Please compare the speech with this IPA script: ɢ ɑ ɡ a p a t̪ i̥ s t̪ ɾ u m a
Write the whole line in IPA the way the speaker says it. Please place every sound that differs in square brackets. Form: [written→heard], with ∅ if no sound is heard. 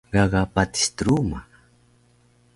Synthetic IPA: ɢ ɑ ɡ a p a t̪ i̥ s t̪ ɾ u m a